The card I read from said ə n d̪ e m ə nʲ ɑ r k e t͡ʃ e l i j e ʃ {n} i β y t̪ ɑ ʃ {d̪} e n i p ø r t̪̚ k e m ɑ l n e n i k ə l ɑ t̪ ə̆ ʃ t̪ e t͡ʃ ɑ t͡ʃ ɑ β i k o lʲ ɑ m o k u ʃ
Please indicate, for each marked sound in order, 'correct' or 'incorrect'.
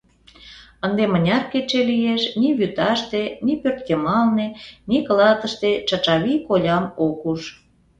correct, incorrect: t̪

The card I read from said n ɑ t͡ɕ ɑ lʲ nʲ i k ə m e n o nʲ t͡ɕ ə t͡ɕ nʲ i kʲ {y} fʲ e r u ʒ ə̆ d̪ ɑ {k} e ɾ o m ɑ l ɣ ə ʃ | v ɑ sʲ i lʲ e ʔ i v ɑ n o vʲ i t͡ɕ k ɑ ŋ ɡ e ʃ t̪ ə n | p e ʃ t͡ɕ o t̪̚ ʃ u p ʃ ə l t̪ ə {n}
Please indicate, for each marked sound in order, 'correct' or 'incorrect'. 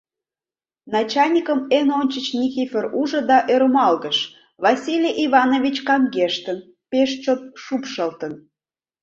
incorrect: i, incorrect: ʔ, correct

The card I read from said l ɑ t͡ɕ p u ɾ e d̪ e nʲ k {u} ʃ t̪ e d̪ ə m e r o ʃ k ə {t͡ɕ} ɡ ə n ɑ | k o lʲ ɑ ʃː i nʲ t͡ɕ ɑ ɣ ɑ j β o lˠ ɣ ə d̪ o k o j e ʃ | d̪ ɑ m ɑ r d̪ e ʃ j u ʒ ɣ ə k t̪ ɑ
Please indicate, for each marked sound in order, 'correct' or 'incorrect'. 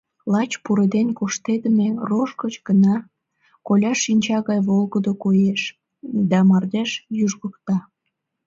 incorrect: o, correct

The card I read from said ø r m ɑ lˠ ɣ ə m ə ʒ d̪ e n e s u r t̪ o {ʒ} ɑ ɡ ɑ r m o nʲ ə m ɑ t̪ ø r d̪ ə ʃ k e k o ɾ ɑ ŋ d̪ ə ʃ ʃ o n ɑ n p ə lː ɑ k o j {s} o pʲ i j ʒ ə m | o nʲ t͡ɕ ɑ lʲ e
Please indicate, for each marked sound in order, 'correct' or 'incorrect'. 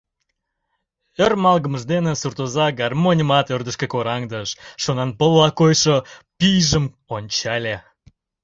incorrect: z, incorrect: ʃ

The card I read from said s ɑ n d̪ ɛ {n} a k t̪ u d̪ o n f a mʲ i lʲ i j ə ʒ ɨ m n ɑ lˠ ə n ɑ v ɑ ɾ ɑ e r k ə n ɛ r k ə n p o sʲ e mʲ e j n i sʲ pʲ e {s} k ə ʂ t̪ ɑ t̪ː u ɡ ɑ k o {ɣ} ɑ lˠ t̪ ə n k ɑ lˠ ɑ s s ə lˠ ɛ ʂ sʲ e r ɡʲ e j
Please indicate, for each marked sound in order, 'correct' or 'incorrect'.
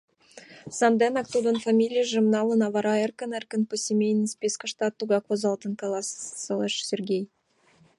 correct, correct, incorrect: z

